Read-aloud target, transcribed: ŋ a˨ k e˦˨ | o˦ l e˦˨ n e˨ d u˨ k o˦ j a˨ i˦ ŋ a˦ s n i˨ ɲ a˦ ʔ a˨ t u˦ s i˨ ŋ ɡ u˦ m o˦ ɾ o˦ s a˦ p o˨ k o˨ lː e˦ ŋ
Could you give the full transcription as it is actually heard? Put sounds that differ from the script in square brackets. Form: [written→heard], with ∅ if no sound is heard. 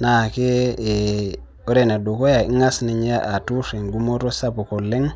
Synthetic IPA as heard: [ŋ→n] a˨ k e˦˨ | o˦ [l→ɾ] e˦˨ n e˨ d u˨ k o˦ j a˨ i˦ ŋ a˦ s n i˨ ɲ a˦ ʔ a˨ t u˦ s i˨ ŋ ɡ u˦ m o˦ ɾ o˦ s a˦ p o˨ k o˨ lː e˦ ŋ

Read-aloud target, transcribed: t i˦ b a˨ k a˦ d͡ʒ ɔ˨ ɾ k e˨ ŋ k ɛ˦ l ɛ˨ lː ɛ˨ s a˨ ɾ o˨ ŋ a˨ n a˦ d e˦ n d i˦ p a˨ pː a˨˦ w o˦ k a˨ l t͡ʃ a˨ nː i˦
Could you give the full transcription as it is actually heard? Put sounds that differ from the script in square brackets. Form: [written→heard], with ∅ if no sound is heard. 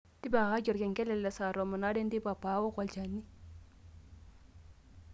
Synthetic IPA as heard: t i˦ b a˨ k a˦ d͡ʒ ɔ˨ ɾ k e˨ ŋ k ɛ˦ l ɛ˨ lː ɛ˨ s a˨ ɾ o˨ [ŋ→m] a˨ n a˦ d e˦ n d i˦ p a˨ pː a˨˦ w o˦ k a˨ l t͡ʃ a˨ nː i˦

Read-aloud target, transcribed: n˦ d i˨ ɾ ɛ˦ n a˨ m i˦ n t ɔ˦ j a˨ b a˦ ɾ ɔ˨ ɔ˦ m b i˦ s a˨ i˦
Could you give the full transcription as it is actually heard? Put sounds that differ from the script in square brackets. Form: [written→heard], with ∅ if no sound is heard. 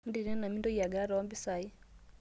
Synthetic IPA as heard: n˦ d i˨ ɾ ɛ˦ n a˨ m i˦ n [t→d] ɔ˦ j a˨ [b→ɡ] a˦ ɾ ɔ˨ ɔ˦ m b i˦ s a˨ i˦

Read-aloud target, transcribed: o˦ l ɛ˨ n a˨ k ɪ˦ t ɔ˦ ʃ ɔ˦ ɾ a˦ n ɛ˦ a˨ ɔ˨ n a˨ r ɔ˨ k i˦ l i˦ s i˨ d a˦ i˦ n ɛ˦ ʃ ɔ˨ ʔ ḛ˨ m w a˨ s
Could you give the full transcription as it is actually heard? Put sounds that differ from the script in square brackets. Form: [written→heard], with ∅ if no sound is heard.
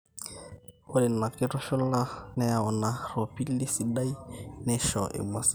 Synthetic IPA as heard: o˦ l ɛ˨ n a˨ k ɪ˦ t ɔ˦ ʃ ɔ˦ [ɾ→l] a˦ n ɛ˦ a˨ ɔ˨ n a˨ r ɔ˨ [k→p] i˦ l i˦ s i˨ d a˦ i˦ n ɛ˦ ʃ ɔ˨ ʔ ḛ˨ m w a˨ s

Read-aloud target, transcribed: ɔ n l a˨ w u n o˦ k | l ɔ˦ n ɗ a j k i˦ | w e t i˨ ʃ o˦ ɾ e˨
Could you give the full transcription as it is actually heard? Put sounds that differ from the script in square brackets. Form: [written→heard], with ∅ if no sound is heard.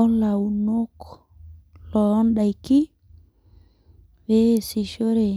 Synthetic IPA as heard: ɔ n l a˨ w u n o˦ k | l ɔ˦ n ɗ a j k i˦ | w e [t→s] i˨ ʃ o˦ ɾ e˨

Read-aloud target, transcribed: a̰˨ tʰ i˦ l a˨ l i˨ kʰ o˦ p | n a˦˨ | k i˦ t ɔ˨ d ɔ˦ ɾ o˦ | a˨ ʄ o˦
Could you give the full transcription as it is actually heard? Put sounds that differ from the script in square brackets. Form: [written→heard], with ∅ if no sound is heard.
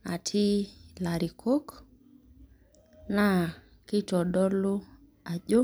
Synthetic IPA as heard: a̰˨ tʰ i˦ l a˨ [l→ɾ] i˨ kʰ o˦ [p→k] | n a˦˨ | k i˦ t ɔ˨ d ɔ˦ [ɾ→l] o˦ | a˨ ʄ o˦

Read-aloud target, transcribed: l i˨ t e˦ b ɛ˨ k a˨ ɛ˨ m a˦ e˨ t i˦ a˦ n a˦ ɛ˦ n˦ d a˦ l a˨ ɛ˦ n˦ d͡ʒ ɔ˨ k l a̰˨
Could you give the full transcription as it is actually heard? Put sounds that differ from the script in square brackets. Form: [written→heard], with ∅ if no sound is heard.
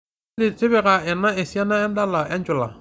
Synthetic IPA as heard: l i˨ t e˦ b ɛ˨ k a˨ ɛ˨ [m→n] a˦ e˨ [t→s] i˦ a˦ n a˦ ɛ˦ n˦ d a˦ l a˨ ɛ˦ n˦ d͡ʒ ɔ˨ [k→∅] l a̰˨

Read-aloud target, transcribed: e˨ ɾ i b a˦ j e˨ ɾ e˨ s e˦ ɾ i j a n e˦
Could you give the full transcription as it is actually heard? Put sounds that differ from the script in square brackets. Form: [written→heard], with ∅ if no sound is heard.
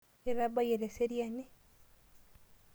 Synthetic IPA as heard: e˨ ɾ [i→a] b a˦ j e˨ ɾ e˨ s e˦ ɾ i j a n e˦

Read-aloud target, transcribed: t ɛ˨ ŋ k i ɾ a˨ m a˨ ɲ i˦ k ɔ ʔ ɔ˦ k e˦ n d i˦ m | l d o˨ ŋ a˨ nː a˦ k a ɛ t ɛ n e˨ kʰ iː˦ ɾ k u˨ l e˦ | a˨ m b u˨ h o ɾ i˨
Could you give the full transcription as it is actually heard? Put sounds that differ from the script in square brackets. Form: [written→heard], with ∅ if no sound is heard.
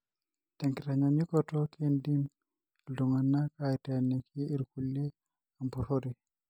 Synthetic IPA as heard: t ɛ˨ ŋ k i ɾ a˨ [m→ɲ] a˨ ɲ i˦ k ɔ [ʔ→t] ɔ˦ k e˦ n d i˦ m | l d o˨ ŋ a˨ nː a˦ k a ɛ t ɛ n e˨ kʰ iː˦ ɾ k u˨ l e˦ | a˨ m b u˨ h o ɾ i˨

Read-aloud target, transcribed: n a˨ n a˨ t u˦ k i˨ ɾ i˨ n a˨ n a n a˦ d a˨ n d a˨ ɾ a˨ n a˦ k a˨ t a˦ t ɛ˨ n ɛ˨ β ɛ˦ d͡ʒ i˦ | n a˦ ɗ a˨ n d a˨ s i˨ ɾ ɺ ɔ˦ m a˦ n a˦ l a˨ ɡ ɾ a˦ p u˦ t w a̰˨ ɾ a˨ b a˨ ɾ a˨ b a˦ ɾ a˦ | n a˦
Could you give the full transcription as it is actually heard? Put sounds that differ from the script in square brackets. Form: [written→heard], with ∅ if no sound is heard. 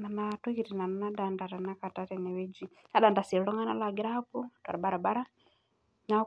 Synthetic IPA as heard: n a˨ n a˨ t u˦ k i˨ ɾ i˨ n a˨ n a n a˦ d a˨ n d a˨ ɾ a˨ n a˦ k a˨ t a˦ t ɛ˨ n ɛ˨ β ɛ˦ d͡ʒ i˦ | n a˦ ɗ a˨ n d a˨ s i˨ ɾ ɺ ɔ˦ [m→ŋ] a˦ n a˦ l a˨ ɡ ɾ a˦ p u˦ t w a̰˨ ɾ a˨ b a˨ ɾ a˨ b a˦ ɾ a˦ | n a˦

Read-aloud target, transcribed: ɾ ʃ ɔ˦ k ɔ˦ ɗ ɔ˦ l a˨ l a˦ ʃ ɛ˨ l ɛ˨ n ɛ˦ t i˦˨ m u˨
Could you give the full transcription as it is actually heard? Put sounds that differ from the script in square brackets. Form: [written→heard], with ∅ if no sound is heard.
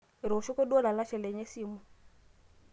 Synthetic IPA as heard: ɾ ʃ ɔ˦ k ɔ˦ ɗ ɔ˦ l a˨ l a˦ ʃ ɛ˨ l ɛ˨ [n→ɲ] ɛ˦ [t→s] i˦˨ m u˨

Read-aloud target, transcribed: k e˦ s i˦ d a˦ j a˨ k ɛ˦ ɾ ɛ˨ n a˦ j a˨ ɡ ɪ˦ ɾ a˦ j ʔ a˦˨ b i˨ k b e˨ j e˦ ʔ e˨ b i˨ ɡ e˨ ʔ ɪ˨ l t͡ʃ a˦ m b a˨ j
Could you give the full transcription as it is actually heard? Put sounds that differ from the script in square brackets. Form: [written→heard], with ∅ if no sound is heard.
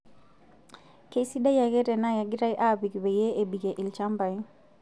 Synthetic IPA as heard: k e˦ s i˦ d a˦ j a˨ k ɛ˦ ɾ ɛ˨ n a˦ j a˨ ɡ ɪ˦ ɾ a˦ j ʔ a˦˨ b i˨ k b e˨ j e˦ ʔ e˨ b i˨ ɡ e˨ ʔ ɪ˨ l t͡ʃ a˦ m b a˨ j

